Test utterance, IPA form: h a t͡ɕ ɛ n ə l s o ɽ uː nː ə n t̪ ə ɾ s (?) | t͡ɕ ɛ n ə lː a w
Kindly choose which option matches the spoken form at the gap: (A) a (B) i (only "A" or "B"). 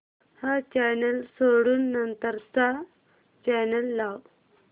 A